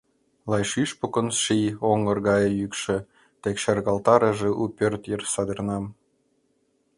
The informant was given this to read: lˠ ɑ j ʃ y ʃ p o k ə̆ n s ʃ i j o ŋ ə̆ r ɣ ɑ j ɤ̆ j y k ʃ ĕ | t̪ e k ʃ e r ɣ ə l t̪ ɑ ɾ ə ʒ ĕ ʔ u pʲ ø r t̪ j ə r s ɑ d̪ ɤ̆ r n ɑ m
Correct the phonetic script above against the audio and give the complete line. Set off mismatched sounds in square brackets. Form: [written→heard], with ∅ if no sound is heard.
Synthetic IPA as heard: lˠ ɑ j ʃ y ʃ p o k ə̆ n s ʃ i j o ŋ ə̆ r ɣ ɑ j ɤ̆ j y k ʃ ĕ | t̪ e k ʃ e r ɣ [ə→ɑ] l t̪ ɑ ɾ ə ʒ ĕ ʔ u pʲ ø r t̪ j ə r s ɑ d̪ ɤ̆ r n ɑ m

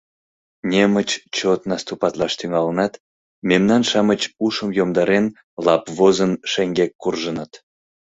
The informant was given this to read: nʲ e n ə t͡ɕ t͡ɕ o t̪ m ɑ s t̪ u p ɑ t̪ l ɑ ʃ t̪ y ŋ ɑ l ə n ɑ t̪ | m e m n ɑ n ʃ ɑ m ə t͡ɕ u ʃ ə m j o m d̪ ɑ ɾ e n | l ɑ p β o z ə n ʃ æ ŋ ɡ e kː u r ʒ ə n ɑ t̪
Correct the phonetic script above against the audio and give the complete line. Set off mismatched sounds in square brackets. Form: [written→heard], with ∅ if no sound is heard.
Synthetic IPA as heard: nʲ e [n→m] ə t͡ɕ t͡ɕ o t̪ [m→n] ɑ s t̪ u p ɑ t̪ l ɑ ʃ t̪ y ŋ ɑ l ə n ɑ t̪ | m e m n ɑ n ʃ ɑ m ə t͡ɕ u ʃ ə m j o m d̪ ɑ ɾ e n | l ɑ p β o z ə n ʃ [æ→e] ŋ ɡ e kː u r ʒ ə n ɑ t̪

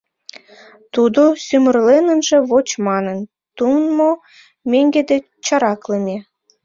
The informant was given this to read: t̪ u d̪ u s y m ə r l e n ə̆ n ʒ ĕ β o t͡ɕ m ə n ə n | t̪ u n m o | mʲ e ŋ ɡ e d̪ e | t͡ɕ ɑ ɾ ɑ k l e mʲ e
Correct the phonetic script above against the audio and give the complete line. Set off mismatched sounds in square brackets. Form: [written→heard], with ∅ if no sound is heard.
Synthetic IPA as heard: t̪ u d̪ [u→o] s y m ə r l e n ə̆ n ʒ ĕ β o t͡ɕ m [ə→ɑ] n ə n | t̪ u n m o | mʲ e ŋ ɡ e d̪ e | t͡ɕ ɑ ɾ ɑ k l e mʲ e

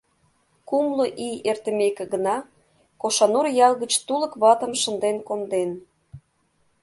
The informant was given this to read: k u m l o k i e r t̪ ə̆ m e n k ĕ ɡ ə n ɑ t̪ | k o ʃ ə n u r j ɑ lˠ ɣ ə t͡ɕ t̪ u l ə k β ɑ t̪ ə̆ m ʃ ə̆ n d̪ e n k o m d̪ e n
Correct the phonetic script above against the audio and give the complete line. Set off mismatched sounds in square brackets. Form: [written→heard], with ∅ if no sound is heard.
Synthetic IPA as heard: k u m l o [k→ʔ] i e r t̪ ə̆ m e [n→∅] k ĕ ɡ ə n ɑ [t̪→∅] | k o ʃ [ə→ɑ] n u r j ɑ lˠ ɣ ə t͡ɕ t̪ u l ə k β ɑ t̪ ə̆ m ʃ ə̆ n d̪ e n k o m d̪ e n

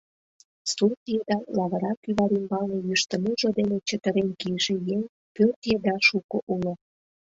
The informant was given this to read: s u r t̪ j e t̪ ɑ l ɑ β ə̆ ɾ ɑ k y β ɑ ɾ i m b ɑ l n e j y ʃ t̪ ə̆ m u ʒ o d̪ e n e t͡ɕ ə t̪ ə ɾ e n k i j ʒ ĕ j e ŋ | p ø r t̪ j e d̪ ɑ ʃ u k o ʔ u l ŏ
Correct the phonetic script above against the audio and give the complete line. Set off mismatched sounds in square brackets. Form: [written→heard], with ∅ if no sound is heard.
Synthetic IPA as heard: s u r t̪ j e [t̪→d̪] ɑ l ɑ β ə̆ ɾ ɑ k y β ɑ ɾ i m b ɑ l n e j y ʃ t̪ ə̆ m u ʒ o d̪ e n e t͡ɕ ə t̪ ə ɾ e n k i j ʒ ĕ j e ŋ | p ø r t̪ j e d̪ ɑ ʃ u k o ʔ u l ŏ

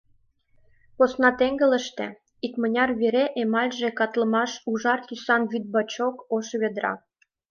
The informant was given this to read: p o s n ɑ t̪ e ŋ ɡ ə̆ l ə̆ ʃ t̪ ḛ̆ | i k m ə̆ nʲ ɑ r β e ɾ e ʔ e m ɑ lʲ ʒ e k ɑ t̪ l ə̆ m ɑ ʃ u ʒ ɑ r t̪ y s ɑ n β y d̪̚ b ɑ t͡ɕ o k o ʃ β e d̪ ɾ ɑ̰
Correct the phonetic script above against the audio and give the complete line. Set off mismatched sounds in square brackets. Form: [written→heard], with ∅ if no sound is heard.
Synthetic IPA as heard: p o s n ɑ t̪ e ŋ ɡ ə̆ l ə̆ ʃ t̪ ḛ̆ | i k m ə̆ nʲ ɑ r β e ɾ e ʔ e m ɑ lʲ ʒ e k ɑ t̪ l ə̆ m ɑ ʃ u ʒ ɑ r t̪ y s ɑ n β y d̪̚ b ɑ t͡ɕ o k o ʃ β e d̪ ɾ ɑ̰

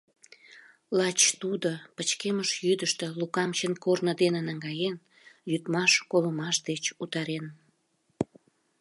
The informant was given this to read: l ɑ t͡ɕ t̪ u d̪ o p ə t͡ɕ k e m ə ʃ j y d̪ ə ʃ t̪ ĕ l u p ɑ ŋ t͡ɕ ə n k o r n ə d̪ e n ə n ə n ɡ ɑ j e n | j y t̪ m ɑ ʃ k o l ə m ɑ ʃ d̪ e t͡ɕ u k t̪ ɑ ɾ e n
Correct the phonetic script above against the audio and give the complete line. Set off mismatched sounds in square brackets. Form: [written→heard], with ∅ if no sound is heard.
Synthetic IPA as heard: l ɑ t͡ɕ t̪ u d̪ o p ə t͡ɕ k e m ə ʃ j y d̪ ə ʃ t̪ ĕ l u [p→k] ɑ [ŋ→m] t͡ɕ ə n k o r n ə d̪ e n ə n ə [n→ŋ] ɡ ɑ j e n | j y t̪ m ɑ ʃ k o l ə m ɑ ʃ d̪ e t͡ɕ u [k→∅] t̪ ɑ ɾ e n

